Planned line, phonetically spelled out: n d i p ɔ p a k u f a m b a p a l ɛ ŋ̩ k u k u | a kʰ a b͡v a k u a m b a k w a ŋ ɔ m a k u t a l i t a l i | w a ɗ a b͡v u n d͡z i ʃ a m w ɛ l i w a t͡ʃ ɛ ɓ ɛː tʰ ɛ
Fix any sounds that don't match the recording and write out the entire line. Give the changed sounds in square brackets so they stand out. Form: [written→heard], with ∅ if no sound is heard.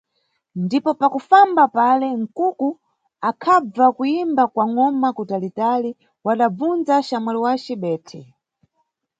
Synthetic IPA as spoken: n d i p ɔ p a k u f a m b a p a l ɛ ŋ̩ k u k u | a kʰ a b͡v a k u [a→i] m b a k w a ŋ ɔ m a k u t a l i t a l i | w a ɗ a b͡v u n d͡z [i→a] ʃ a m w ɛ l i w a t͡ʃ ɛ ɓ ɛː tʰ ɛ